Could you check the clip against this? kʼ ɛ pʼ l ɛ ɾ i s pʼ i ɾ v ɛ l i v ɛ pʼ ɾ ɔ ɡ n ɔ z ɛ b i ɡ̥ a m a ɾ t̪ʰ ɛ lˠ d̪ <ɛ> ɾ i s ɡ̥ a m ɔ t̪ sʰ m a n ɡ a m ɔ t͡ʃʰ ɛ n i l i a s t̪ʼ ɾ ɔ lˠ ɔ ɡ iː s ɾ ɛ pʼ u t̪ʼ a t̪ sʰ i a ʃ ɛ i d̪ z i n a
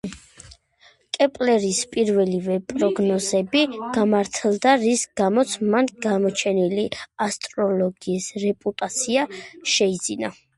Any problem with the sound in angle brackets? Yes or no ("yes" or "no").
yes